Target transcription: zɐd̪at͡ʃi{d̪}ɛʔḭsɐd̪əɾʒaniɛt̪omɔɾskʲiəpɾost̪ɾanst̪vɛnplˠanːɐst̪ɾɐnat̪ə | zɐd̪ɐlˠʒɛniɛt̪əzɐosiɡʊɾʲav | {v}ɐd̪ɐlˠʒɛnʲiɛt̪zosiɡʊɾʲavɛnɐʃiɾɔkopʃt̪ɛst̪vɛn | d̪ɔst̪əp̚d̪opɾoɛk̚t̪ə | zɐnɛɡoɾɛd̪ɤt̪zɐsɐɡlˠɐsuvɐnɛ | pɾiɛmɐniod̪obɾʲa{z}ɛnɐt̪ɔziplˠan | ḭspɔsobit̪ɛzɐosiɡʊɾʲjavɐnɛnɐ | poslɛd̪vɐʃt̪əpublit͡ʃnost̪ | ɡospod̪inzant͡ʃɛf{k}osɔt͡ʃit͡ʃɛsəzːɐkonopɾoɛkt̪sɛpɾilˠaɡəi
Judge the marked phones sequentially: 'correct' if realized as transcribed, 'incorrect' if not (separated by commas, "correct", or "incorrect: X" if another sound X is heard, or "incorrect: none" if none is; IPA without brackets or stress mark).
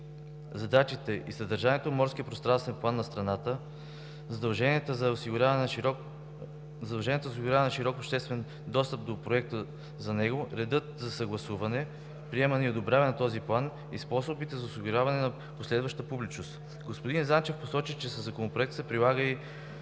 incorrect: t̪, incorrect: z, incorrect: v, incorrect: p